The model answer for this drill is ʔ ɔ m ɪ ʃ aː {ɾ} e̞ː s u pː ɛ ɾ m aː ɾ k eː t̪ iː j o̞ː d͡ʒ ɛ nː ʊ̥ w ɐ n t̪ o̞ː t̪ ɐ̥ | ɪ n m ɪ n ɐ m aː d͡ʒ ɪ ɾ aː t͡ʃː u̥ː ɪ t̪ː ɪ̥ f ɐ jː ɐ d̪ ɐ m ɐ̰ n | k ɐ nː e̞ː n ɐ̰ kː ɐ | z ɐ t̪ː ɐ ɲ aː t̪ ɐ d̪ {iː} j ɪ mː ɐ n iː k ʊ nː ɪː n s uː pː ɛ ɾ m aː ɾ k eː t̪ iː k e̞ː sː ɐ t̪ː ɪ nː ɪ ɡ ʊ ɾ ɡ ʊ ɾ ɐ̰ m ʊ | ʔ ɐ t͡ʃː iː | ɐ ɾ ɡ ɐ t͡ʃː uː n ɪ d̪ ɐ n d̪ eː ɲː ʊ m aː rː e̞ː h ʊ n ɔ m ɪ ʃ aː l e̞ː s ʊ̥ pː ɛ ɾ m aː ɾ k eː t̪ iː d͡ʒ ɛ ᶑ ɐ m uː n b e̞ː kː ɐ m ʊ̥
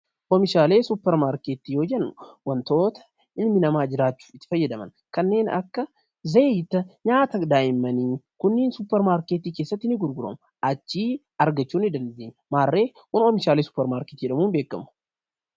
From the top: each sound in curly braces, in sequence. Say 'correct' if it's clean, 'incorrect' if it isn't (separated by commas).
incorrect, incorrect